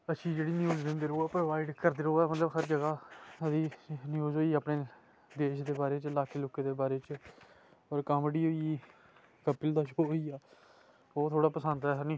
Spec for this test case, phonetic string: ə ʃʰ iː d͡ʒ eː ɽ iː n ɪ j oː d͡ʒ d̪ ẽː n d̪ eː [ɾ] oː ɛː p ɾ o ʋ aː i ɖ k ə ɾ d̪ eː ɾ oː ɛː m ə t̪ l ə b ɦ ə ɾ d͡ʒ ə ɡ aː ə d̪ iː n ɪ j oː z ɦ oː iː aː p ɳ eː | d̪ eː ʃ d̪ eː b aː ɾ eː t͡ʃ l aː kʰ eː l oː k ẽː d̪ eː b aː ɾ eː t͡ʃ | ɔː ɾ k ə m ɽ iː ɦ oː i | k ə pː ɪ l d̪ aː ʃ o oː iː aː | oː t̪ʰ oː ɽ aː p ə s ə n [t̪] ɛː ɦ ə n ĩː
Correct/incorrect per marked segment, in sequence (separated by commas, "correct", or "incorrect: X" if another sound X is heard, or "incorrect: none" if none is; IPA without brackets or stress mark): correct, incorrect: d̪